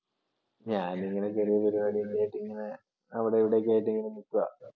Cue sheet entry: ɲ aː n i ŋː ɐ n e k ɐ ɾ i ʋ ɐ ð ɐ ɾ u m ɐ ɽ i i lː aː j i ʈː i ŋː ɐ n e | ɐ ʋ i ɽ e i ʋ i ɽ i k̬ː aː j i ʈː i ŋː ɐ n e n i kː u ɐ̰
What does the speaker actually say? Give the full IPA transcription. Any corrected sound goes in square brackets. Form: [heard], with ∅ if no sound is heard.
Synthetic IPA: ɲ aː n i ŋː ɐ n e k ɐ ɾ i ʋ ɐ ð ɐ ɾ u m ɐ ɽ i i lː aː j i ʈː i ŋː ɐ n e | ɐ ʋ i ɽ e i ʋ i ɽ [e] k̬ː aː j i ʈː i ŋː ɐ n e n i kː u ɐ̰